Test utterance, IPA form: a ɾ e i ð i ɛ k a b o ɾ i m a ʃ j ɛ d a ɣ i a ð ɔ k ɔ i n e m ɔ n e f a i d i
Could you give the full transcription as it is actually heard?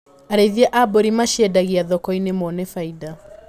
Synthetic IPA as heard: a ɾ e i ð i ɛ ʔ a b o ɾ i m a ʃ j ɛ d a ɣ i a ð ɔ k ɔ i n e m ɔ n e f a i d a